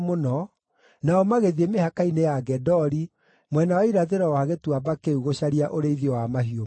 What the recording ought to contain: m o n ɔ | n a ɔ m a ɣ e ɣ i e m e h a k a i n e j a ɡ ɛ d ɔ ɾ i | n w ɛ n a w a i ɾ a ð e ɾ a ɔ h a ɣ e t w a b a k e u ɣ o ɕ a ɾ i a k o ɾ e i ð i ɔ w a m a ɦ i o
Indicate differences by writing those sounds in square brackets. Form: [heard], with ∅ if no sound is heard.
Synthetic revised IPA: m o n ɔ | n a ɔ m a ɣ e [ð] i e m e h a k a i n e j a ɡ ɛ d ɔ ɾ i | [m] w ɛ n a w a i ɾ a ð e ɾ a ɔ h a ɣ e t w a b a k e u ɣ o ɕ a ɾ i a [ʔ] o ɾ e i ð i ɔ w a m a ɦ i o